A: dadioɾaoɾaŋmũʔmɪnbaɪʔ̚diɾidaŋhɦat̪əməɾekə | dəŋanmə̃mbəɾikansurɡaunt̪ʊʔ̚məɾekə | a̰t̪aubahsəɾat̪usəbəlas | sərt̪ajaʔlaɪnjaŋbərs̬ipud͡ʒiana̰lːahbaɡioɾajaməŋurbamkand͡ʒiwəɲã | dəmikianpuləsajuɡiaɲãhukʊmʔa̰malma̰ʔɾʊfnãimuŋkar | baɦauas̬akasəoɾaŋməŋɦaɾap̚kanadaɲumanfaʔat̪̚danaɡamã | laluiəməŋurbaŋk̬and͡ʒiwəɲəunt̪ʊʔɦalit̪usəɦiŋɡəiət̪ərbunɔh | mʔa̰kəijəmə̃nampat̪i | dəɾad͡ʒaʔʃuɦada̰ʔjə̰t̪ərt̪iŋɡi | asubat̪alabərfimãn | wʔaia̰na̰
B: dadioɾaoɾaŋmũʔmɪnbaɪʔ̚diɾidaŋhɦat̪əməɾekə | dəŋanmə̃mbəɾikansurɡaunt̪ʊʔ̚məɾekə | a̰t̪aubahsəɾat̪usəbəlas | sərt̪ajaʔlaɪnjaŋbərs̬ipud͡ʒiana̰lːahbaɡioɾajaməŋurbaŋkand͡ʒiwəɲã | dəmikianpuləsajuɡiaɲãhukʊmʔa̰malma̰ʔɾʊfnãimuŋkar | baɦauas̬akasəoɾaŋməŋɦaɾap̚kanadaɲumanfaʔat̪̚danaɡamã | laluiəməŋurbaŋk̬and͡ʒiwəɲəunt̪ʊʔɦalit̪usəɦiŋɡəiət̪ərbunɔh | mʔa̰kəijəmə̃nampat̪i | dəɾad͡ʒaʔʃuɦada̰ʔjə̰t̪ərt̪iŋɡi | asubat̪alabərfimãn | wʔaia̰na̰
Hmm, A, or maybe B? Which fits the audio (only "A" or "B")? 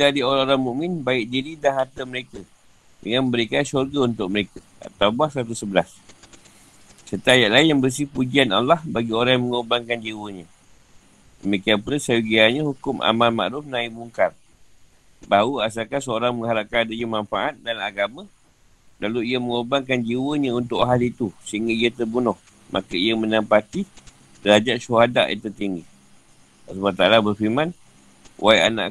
B